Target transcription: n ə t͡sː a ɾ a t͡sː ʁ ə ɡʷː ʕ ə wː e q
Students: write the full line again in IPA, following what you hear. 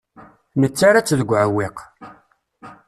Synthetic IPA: n ə t͡sː a ɾ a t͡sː ð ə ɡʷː ʕ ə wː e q